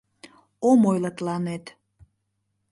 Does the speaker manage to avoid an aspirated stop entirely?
yes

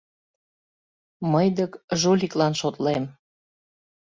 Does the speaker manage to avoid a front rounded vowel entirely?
yes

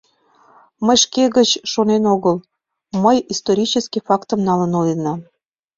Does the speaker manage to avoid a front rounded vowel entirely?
yes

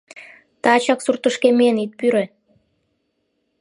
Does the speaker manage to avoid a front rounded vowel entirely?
no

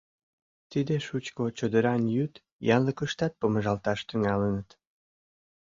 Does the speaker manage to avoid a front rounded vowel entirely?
no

